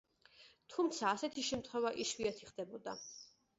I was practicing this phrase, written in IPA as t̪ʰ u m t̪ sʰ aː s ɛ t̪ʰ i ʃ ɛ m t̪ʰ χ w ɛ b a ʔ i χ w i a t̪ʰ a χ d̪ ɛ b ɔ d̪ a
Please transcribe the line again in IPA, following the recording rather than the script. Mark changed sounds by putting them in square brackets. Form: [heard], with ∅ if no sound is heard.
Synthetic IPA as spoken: t̪ʰ u m t̪ sʰ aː s ɛ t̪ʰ i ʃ ɛ m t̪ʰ χ w ɛ [v] a ʔ i [ʃ] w i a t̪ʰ [i] χ d̪ ɛ b ɔ d̪ a